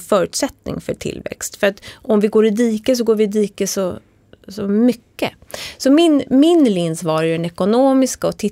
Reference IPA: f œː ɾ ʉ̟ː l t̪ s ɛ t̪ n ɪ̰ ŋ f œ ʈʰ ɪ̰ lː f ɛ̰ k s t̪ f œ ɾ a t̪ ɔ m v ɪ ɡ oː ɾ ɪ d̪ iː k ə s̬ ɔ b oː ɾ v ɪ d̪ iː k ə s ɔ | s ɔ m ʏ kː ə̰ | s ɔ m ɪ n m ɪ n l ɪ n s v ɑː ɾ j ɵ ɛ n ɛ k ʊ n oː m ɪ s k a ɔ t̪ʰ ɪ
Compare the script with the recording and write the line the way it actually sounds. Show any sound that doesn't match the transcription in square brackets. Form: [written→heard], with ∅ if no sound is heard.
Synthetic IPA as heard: f œː ɾ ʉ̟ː [l→∅] t̪ s ɛ t̪ n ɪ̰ ŋ f œ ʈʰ ɪ̰ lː [f→v] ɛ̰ k s t̪ f œ ɾ a t̪ ɔ m v ɪ ɡ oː ɾ ɪ d̪ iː k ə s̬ ɔ [b→ɡ] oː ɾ v ɪ d̪ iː k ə s ɔ | s ɔ m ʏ kː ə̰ | s ɔ m ɪ n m ɪ n l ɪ n s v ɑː ɾ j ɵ ɛ n ɛ k ʊ n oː m ɪ s k a ɔ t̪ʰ ɪ